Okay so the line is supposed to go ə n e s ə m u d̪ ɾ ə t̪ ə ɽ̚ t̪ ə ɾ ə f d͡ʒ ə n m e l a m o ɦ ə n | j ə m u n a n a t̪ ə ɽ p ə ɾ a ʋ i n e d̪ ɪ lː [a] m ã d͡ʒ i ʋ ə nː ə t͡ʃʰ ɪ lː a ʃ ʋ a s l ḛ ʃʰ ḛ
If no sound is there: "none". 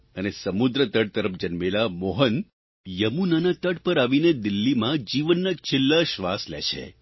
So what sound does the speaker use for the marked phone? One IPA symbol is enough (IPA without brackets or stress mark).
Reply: i